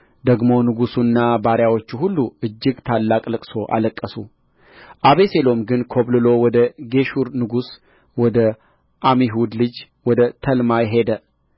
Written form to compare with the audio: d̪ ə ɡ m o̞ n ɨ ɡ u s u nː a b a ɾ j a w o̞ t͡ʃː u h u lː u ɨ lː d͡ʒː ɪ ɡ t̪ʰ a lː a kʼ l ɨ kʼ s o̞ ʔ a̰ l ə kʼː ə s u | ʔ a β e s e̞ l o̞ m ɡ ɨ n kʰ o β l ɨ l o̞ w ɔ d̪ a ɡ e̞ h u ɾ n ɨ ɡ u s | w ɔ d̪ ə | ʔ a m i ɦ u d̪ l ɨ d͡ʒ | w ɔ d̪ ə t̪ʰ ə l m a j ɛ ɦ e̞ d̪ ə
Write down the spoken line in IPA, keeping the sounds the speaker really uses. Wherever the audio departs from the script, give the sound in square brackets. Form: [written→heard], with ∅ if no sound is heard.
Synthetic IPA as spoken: d̪ ə ɡ m o̞ n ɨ ɡ u s u nː a b a ɾ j a w o̞ t͡ʃː u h u lː u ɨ [lː→∅] d͡ʒː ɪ ɡ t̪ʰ a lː a kʼ l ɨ kʼ s o̞ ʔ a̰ l ə kʼː ə s u | ʔ a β e s e̞ l o̞ m ɡ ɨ n kʰ o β l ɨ l o̞ w ɔ d̪ [a→ə] ɡ e̞ [h→ʃ] u ɾ n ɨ ɡ u s | w ɔ d̪ ə | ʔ a m i ɦ u d̪ l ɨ d͡ʒ | w ɔ d̪ ə t̪ʰ ə l m a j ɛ ɦ e̞ d̪ ə